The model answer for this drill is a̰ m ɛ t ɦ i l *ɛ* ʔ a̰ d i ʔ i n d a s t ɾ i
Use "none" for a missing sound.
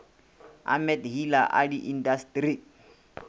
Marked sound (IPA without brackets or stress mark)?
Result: a